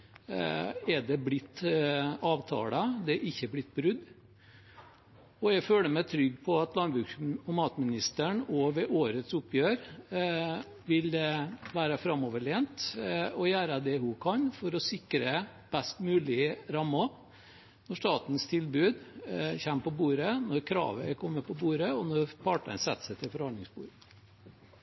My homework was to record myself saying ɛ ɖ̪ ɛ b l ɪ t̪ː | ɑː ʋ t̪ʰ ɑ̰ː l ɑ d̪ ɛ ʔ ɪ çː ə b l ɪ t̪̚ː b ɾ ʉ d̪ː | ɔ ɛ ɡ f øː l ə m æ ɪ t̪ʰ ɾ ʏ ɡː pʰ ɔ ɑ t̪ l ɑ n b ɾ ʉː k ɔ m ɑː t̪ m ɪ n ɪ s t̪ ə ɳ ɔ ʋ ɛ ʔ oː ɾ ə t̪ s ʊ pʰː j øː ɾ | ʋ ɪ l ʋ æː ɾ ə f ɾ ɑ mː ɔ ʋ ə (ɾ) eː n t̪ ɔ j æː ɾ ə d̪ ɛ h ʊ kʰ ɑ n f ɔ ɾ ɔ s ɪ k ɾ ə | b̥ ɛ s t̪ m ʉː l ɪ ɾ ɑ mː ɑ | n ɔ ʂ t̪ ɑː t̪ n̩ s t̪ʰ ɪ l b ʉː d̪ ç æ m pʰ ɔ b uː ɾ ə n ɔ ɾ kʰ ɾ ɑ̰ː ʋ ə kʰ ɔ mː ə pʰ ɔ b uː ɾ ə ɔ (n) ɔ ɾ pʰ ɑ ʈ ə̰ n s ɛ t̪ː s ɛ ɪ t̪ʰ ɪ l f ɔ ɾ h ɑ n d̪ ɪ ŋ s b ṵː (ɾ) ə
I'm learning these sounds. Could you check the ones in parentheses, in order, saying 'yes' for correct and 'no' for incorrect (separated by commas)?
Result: no, yes, yes